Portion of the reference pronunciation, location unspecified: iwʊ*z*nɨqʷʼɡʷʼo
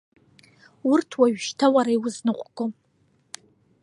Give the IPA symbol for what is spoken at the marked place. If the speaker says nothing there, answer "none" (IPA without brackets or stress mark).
z